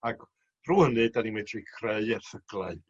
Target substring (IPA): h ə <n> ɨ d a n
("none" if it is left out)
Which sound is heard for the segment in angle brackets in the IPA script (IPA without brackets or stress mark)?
n